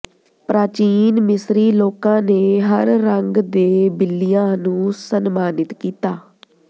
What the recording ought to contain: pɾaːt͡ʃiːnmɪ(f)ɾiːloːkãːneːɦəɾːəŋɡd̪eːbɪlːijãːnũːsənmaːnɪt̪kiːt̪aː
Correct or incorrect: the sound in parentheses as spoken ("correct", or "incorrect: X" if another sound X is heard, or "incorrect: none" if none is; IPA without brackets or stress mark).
incorrect: s